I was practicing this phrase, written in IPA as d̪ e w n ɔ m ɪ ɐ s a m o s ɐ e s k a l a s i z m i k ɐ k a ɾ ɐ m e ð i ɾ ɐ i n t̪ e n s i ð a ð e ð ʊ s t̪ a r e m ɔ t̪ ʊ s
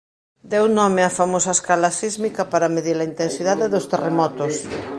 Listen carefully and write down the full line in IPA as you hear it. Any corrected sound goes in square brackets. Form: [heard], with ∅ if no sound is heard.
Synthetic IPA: d̪ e w n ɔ m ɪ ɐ [f] a m o s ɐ e s k a l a s i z m i k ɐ [p] a ɾ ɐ m e ð i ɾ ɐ i n t̪ e n s i ð a ð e ð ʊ s t̪ [e] r e m ɔ t̪ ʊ s